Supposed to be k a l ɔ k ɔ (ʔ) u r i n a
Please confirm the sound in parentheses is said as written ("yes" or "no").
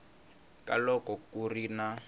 no